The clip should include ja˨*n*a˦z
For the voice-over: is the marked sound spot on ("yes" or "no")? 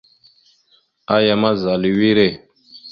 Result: no